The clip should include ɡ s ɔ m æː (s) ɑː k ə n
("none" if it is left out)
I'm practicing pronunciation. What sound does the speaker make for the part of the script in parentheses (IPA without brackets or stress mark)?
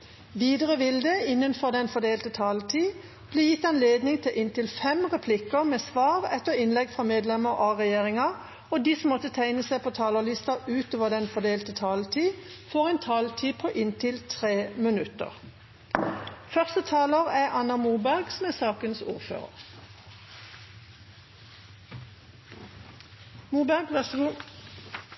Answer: s